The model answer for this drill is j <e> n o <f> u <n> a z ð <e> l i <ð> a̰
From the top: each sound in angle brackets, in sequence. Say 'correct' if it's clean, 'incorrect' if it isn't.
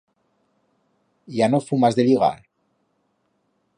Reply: incorrect: a, correct, incorrect: m, correct, incorrect: ɣ

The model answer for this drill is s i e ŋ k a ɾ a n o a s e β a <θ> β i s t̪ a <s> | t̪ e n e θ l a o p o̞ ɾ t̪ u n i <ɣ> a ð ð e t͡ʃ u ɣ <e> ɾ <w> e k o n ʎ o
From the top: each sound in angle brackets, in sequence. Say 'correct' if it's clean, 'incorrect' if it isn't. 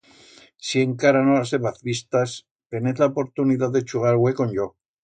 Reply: correct, correct, incorrect: ð, incorrect: a, correct

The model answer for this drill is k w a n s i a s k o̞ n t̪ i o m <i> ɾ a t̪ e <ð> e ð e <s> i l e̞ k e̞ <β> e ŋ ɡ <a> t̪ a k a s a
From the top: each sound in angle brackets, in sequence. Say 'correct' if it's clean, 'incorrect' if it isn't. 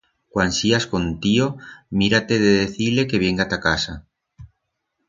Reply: correct, correct, incorrect: θ, correct, correct

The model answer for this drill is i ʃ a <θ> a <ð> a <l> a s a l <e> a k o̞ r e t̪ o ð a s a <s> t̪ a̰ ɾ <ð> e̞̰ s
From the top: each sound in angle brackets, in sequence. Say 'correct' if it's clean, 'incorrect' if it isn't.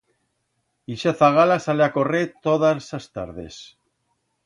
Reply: correct, incorrect: ɣ, correct, correct, correct, correct

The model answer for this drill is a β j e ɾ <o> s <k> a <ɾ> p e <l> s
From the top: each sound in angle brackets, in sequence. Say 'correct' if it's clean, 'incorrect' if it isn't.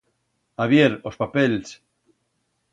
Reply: correct, incorrect: p, incorrect: none, correct

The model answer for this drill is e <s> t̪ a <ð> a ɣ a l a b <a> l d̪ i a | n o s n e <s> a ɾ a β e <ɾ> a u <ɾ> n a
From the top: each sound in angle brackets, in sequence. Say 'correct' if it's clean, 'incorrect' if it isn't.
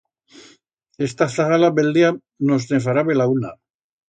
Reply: correct, incorrect: θ, incorrect: e, incorrect: f, incorrect: l, incorrect: none

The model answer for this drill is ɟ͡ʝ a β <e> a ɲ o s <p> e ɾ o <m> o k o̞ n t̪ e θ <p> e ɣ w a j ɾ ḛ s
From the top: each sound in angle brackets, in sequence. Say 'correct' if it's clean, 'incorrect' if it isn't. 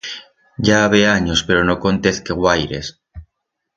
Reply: correct, correct, incorrect: n, incorrect: k

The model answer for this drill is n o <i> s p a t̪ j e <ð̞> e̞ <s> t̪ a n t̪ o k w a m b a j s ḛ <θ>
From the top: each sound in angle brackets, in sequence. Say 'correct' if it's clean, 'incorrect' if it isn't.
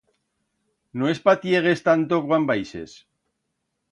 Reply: incorrect: e, incorrect: ɣ̞, correct, incorrect: s

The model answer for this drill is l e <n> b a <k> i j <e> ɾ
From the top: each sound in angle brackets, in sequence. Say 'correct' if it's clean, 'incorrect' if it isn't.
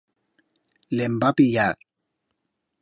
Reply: incorrect: m, incorrect: p, incorrect: a

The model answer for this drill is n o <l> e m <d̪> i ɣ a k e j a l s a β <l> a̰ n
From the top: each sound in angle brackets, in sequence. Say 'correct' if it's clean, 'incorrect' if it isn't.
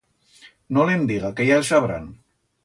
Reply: correct, correct, incorrect: ɾ

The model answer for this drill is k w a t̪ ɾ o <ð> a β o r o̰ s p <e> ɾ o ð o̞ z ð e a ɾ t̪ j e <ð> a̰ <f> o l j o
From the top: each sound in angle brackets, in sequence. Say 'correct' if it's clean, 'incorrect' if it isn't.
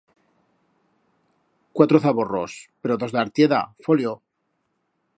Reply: incorrect: θ, correct, correct, correct

